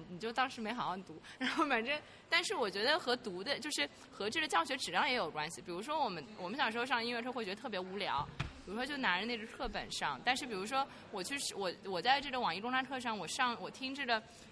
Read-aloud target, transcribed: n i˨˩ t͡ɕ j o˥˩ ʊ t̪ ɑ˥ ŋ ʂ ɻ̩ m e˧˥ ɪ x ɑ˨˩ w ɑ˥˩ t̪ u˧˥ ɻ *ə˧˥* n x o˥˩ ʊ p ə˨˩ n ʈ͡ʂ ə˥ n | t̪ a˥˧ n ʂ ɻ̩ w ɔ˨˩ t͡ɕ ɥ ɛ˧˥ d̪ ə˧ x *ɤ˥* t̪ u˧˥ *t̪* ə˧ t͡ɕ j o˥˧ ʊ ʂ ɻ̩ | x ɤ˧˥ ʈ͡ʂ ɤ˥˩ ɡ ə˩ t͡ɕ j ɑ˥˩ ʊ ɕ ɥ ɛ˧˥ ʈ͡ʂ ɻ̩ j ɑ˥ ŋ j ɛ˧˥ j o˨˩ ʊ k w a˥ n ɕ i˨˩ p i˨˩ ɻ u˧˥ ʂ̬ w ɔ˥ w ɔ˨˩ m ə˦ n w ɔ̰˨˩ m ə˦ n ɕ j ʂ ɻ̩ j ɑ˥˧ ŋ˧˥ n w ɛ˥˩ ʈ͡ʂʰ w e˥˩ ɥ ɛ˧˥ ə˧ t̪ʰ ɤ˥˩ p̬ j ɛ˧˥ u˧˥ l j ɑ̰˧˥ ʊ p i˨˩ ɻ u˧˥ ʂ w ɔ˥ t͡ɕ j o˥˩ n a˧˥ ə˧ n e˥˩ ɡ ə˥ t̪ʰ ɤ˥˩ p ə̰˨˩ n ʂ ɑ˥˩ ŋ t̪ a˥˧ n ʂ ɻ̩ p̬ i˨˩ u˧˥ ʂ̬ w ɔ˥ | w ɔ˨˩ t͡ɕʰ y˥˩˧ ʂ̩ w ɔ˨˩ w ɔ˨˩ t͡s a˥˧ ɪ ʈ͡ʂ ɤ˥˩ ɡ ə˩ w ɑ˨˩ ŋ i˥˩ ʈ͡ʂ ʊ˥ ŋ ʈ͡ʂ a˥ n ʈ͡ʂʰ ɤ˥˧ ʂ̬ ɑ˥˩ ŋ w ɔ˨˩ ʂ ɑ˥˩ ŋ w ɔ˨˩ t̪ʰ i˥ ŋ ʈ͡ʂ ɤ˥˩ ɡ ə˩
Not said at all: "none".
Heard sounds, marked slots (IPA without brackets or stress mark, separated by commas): a˧˥, ɤ˧˥, d̪